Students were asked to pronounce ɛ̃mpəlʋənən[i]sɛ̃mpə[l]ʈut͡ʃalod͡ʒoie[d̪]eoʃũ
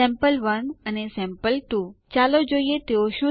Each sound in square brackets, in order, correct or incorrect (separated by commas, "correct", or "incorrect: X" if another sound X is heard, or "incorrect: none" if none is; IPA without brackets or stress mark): incorrect: e, correct, incorrect: t̪